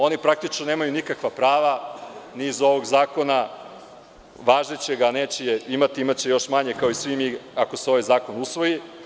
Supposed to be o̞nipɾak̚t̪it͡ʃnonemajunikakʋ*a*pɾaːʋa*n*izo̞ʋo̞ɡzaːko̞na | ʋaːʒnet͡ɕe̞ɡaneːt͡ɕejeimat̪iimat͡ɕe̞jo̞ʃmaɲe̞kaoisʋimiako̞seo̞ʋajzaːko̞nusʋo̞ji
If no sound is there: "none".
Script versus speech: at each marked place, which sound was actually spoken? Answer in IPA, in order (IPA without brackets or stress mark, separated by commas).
a, n